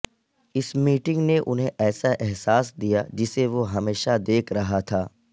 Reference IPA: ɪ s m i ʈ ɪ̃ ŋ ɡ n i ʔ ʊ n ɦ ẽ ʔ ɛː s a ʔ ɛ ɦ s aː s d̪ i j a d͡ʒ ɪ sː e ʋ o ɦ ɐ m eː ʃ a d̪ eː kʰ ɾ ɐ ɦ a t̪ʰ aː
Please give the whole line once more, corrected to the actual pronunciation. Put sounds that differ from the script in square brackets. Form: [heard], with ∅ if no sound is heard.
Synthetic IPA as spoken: ɪ s m [iː] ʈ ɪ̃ ŋ ɡ n [e] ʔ ʊ n ɦ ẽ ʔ ɛː s a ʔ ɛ ɦ s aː s d̪ i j a d͡ʒ ɪ [s] e ʋ o ɦ ɐ m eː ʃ a d̪ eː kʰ ɾ ɐ ɦ a t̪ʰ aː